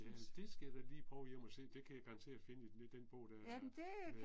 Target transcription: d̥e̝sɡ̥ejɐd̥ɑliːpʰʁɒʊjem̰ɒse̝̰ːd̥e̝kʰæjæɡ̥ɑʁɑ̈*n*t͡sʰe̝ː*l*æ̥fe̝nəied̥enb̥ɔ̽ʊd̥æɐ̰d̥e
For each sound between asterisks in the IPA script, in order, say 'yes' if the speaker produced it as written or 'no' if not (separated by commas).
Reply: yes, no